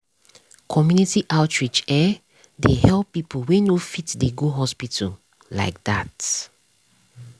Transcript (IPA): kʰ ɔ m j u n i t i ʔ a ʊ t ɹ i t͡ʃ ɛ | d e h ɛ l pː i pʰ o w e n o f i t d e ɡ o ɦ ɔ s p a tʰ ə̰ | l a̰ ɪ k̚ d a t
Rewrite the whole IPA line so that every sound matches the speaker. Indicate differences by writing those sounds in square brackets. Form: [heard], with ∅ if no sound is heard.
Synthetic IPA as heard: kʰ ɔ m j u n i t i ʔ a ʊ t ɹ i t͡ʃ ɛ | d e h ɛ l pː i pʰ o w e n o f i t d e ɡ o ɦ ɔ s p [i] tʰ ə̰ | l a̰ ɪ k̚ d a t